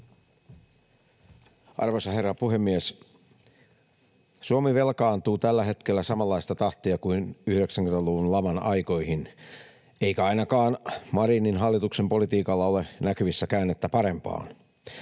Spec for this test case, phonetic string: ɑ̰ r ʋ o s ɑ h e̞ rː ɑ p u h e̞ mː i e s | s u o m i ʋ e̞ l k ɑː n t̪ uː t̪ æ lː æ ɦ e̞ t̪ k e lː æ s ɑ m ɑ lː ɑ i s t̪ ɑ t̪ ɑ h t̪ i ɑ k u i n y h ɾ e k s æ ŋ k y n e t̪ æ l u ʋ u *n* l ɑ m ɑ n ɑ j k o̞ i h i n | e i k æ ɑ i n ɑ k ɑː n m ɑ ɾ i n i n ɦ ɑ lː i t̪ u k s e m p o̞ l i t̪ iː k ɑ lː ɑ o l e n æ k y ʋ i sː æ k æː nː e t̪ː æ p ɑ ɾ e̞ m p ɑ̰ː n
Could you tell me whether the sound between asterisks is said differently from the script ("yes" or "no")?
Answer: no